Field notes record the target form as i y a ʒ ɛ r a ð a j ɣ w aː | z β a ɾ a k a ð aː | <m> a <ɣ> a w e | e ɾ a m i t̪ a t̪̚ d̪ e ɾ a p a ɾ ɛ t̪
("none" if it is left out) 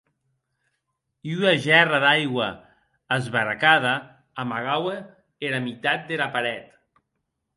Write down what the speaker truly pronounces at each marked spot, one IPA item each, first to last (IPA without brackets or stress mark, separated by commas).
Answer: m, ɣ